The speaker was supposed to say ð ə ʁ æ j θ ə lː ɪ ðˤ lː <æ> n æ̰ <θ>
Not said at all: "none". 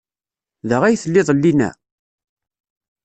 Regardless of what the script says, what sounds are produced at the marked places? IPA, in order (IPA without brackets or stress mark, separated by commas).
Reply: i, none